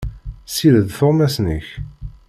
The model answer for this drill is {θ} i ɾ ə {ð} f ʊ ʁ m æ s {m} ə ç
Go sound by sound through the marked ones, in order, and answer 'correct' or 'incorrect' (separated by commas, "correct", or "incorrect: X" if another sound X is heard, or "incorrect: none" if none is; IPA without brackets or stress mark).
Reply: incorrect: s, correct, incorrect: n